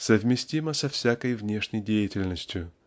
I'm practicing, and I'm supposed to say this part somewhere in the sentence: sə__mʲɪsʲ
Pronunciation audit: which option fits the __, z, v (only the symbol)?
v